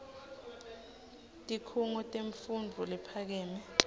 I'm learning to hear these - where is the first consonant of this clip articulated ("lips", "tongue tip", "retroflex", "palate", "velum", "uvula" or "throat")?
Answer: tongue tip